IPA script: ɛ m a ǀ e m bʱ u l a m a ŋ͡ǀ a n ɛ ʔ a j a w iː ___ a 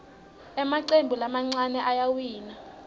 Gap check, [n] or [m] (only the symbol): n